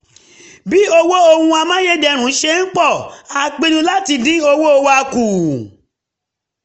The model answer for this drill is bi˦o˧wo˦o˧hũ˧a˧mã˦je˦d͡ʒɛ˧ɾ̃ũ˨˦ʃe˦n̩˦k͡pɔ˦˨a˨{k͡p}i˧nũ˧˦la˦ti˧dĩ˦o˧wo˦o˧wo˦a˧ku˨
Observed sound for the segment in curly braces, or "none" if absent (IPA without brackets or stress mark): k͡p